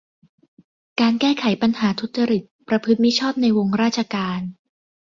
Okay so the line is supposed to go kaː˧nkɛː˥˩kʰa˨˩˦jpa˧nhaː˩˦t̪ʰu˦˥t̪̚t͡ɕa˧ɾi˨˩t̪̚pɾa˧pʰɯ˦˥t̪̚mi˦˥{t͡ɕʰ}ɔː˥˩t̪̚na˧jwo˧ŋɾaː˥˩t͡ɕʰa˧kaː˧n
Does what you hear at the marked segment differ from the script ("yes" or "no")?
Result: no